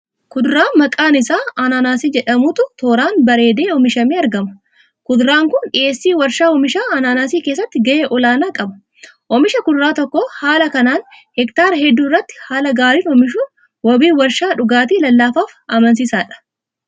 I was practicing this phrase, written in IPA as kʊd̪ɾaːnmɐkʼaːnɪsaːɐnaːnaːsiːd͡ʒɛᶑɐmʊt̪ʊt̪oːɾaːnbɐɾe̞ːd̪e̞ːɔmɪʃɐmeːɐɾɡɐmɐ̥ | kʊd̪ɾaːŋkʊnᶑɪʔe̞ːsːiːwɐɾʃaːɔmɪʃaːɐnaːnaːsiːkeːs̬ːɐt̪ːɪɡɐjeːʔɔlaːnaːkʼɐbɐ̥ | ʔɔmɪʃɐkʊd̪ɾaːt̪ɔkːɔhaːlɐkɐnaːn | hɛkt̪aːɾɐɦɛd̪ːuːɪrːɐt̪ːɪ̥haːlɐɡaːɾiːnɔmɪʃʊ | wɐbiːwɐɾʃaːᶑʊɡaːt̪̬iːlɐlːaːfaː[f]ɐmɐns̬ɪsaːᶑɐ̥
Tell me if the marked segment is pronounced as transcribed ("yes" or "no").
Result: yes